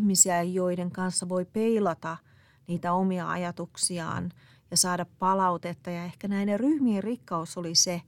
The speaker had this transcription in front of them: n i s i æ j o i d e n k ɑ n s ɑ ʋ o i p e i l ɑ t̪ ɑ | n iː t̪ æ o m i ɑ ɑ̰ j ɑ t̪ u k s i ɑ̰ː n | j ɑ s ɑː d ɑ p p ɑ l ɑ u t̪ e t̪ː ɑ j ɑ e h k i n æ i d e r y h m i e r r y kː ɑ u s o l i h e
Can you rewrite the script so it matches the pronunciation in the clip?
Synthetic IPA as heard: m i s i æ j o i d e ŋ k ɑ n sː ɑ ʋ o i p e i l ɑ t̪ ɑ | n iː t̪ æ o m i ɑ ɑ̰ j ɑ t̪ u k s i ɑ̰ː n | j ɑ s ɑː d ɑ p p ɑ l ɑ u t̪ e t̪ː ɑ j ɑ e h k æ n æ i n e r y h m i e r r i kː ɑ u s o l i s e